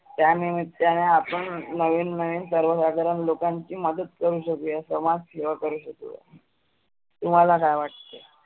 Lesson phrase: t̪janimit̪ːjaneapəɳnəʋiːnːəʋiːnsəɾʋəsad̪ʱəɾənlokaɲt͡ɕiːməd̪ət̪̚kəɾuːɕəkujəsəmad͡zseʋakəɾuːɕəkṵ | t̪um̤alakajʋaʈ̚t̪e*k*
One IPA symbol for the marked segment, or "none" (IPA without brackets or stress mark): none